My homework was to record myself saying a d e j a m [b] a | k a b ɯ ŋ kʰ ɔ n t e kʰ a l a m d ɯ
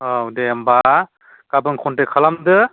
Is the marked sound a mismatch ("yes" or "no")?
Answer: no